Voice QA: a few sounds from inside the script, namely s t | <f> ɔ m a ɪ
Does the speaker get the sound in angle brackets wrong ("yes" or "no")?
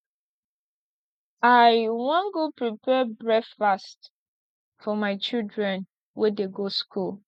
no